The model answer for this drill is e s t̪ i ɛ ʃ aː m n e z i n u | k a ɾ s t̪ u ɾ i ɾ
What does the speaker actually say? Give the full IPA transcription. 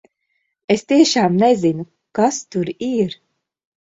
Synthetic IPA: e s t̪ i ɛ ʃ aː m n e z i n u | k a s t̪ u ɾ i ɾ